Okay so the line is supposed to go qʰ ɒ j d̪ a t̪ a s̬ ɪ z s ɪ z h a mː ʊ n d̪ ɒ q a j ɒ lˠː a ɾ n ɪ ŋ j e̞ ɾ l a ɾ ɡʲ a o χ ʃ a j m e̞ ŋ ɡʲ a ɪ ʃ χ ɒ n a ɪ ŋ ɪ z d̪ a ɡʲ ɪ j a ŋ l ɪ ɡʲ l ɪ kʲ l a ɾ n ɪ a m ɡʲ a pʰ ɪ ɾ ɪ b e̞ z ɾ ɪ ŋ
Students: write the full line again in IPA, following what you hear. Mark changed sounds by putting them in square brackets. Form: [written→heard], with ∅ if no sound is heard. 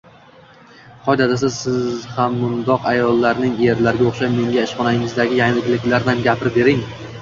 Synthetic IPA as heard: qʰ ɒ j d̪ a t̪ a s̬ ɪ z s ɪ z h a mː ʊ n d̪ ɒ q a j ɒ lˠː a ɾ n ɪ ŋ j e̞ ɾ l a ɾ ɡʲ a o χ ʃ a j m e̞ ŋ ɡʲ a ɪ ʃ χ ɒ n a ɪ ŋ ɪ z d̪ a ɡʲ ɪ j a ŋ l ɪ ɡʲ l ɪ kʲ l a ɾ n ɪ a m ɡʲ a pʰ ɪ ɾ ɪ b e̞ [z→∅] ɾ ɪ ŋ